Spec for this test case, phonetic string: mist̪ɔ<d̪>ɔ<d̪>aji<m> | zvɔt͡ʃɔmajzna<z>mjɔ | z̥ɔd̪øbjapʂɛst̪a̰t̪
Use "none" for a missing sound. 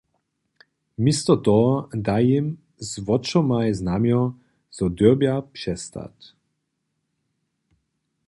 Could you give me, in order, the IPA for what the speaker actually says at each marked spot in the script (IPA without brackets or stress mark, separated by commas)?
t̪, d̪, m, none